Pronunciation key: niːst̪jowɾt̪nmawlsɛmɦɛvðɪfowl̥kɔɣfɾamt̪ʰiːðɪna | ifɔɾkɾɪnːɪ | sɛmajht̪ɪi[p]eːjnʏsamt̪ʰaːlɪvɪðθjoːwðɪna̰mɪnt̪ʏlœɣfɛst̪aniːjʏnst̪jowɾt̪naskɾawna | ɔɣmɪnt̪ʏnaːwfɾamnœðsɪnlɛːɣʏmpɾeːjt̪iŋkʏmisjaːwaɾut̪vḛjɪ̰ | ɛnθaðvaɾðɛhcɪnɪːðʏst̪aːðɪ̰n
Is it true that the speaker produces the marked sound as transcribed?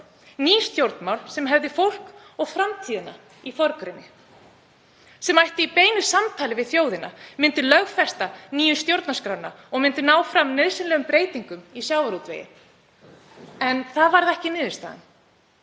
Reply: yes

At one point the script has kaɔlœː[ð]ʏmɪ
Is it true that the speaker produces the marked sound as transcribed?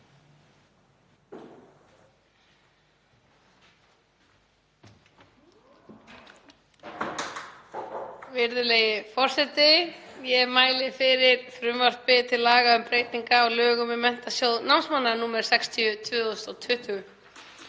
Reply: no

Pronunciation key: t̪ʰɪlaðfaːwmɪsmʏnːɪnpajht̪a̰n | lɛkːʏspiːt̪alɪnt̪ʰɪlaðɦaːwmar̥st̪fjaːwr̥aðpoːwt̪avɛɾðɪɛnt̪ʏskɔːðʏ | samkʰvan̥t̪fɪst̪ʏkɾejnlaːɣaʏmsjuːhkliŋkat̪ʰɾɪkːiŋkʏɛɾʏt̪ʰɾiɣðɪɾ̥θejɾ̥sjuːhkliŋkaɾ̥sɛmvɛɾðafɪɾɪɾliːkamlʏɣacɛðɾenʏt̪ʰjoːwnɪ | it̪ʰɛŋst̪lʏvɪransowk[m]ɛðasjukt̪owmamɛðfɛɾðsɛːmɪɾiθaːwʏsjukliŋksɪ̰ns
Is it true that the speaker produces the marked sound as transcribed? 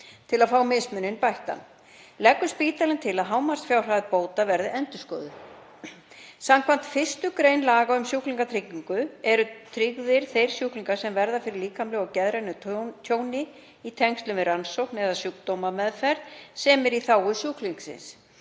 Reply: no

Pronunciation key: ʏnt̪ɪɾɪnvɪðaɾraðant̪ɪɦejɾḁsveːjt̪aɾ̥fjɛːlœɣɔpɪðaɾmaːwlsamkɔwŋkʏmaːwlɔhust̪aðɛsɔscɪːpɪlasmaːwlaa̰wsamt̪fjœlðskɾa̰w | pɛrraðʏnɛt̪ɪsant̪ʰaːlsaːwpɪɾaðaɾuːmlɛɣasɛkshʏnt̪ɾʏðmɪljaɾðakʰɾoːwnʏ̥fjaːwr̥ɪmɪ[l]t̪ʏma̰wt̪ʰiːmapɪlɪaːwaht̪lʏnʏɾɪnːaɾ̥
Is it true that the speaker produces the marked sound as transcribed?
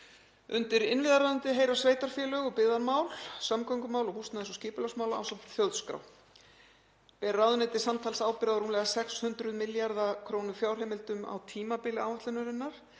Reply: yes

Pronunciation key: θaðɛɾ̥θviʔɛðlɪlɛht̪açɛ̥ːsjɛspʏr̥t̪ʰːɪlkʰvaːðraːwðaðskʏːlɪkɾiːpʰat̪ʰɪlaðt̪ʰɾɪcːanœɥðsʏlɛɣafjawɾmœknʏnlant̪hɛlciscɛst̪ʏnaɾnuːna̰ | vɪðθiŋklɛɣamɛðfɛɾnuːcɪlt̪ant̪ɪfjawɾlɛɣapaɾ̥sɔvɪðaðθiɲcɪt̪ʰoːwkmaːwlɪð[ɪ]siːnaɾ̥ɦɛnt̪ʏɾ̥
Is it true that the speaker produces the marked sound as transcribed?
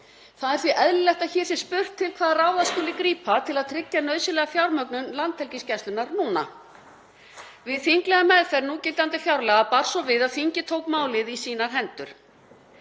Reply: no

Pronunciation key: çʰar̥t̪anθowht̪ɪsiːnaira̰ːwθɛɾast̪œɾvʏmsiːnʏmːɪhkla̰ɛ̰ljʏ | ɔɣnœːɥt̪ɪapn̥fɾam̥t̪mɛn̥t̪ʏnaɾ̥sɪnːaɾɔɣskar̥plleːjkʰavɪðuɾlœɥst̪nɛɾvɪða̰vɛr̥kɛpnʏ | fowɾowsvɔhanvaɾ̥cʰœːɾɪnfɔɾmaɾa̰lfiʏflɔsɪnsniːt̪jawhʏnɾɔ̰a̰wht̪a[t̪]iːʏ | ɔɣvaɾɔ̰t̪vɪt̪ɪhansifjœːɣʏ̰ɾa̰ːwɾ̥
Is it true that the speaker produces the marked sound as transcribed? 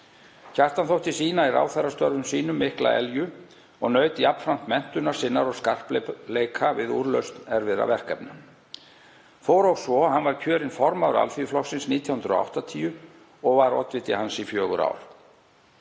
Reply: no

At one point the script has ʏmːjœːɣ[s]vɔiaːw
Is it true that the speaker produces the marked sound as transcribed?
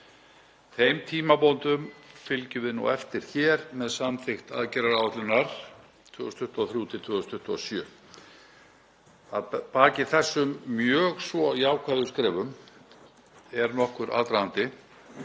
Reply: yes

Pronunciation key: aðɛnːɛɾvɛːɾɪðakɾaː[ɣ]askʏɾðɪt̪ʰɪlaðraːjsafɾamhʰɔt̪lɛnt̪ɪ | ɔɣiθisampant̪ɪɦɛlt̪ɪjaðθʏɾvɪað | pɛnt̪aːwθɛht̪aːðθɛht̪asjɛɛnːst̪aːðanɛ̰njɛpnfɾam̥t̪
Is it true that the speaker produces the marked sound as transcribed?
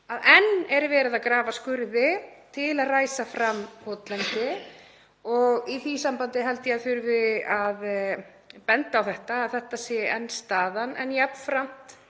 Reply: no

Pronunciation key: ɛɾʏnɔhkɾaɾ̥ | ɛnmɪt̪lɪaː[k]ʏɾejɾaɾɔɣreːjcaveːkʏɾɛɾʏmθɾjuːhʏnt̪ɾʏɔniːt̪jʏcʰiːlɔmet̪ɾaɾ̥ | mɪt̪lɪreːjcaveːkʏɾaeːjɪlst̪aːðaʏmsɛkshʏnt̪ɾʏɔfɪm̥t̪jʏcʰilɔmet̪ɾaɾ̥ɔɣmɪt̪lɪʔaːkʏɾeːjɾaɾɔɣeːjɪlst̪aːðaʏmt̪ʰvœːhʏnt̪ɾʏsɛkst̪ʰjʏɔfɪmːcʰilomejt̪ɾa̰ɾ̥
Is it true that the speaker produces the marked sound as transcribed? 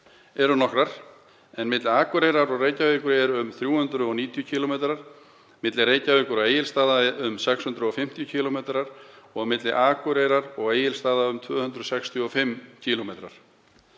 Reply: yes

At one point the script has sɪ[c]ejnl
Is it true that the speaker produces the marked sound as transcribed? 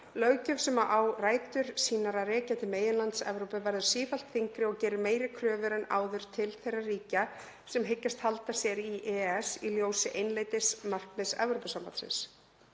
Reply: no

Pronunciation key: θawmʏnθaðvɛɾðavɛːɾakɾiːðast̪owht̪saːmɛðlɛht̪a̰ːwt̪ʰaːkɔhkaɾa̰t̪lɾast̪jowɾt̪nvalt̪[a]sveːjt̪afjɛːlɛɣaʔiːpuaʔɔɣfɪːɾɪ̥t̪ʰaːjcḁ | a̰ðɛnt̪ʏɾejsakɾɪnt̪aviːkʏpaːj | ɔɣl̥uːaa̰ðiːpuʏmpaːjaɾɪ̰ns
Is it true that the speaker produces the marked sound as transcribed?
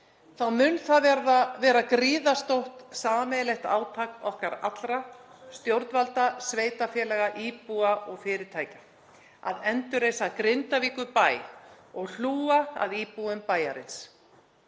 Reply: yes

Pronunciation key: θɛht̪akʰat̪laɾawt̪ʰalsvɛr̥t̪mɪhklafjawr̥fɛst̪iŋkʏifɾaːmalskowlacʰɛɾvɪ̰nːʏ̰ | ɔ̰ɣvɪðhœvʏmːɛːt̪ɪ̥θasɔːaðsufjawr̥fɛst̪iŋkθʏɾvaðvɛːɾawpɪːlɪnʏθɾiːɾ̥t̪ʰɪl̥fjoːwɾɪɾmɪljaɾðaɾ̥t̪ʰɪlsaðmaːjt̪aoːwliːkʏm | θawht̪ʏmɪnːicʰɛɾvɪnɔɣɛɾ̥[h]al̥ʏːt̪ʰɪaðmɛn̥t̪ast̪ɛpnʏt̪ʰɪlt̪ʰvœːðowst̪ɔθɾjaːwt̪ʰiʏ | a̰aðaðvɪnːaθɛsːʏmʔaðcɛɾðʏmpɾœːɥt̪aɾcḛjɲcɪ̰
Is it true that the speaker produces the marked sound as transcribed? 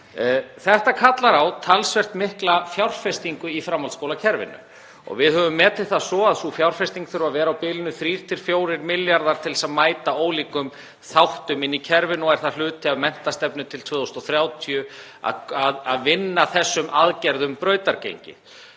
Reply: no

